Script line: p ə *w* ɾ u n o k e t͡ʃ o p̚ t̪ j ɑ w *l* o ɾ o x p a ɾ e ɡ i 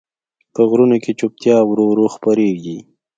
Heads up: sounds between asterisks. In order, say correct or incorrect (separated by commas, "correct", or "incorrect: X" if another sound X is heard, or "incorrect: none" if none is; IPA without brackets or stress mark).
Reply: incorrect: ɣ, incorrect: ɾ